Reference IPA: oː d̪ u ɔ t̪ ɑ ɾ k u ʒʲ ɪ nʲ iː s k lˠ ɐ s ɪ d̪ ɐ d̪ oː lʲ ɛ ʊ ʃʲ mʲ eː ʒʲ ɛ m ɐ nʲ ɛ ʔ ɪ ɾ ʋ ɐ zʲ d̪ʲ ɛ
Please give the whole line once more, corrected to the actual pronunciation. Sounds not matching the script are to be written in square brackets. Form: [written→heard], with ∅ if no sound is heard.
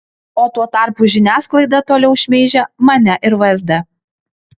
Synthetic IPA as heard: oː [d̪→t̪] u ɔ t̪ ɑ ɾ [k→p] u ʒʲ ɪ nʲ [iː→æː] s k lˠ ɐ [s→∅] ɪ d̪ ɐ [d̪→t̪] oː lʲ ɛ ʊ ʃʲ mʲ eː ʒʲ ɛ m ɐ nʲ ɛ ʔ ɪ ɾ ʋ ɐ zʲ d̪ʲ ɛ